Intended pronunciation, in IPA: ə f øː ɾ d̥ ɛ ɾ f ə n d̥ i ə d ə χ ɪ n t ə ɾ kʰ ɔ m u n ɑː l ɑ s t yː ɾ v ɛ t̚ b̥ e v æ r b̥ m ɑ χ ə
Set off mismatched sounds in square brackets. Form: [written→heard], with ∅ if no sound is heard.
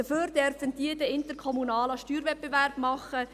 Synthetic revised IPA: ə f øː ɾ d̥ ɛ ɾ f ə n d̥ i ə d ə [χ→∅] ɪ n t ə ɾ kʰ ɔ m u n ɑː l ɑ [s→ʃ] t yː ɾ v ɛ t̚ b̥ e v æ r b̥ m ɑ χ ə